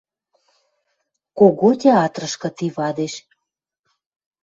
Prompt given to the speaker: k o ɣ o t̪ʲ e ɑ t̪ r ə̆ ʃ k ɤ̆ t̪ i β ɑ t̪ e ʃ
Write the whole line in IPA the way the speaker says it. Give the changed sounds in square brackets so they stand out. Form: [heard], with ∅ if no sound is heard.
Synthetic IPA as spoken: k o ɣ o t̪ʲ e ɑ t̪ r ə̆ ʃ k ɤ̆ t̪ i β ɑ [d̪] e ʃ